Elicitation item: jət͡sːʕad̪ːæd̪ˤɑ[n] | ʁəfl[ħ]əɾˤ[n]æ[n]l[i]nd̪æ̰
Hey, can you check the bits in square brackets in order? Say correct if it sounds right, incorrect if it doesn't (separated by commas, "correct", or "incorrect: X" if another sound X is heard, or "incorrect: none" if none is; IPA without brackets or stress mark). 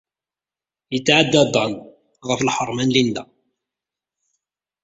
correct, correct, incorrect: m, correct, correct